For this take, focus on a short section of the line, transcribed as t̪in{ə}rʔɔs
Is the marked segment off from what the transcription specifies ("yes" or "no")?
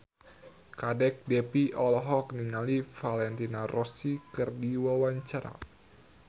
yes